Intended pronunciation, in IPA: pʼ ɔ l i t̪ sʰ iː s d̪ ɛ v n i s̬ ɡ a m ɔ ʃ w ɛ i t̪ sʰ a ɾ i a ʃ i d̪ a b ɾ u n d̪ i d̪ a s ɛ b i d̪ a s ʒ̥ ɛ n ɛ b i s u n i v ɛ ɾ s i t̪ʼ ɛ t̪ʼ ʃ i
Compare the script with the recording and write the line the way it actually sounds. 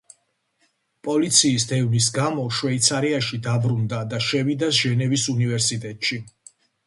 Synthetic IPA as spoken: pʼ ɔ l i t̪ sʰ iː s d̪ ɛ v n i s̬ ɡ a m ɔ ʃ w ɛ i t̪ sʰ a ɾ i a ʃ i d̪ a b ɾ u n d̪ a d̪ a ʃ ɛ v i d̪ a s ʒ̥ ɛ n ɛ v i s u n i v ɛ ɾ s i t̪ʼ ɛ t̪ʼ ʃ i